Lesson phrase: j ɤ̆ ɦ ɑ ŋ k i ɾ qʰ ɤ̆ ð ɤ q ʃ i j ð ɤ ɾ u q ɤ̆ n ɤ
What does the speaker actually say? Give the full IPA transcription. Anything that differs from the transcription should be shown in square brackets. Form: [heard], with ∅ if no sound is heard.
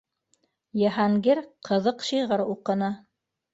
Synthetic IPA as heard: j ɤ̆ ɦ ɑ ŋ [ɡ] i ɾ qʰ ɤ̆ ð ɤ q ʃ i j [ʁ] ɤ ɾ u q ɤ̆ n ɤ